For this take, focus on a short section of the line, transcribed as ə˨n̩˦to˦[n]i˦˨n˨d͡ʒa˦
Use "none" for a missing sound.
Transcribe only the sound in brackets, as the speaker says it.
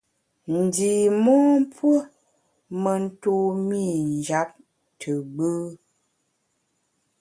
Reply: m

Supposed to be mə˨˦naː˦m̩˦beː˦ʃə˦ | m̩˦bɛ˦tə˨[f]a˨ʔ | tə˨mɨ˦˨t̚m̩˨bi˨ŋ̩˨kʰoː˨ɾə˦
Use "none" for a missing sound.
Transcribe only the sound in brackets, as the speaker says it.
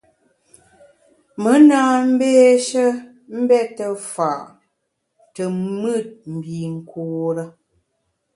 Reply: f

